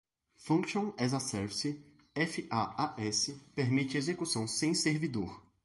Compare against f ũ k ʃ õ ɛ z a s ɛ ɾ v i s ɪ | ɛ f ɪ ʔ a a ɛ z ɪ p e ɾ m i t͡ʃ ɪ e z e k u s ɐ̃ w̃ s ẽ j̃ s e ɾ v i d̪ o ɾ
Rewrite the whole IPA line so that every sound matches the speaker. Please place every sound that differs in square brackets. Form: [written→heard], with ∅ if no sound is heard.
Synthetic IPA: f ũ k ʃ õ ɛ z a s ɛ ɾ v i s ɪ | ɛ f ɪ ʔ a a ɛ [z→s] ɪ p e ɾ m i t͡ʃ ɪ e z e k u s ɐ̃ w̃ s ẽ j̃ s e ɾ v i d̪ o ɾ